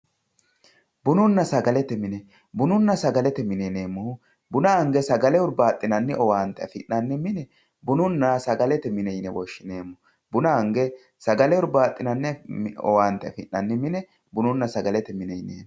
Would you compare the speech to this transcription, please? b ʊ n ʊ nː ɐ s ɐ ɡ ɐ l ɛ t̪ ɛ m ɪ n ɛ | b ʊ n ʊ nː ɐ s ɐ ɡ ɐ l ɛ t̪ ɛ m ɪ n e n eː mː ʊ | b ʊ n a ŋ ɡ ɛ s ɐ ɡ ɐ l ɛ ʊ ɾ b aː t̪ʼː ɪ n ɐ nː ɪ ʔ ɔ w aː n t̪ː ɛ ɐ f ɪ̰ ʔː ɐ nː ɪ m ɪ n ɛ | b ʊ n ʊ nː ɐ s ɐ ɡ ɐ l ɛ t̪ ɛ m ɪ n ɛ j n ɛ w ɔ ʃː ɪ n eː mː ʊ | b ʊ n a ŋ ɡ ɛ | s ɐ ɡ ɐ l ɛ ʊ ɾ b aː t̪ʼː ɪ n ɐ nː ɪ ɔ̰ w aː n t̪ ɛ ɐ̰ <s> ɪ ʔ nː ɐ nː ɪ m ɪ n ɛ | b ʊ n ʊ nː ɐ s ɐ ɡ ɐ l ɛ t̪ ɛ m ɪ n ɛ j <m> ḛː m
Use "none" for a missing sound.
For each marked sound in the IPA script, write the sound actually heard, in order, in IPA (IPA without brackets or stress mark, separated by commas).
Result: f, n